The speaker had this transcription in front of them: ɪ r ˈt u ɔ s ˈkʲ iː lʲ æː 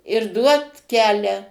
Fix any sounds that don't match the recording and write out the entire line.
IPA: ɪ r ˈd u ɔ t ˈkʲ æː lʲ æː